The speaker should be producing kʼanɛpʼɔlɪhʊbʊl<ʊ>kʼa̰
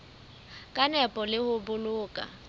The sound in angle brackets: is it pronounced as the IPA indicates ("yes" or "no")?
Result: no